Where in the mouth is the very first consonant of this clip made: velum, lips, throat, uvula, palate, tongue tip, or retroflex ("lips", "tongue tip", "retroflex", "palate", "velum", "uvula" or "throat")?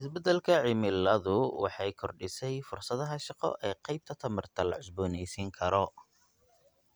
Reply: tongue tip